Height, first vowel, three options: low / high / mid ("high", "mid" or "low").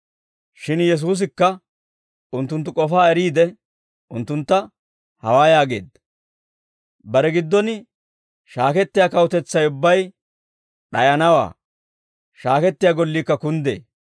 high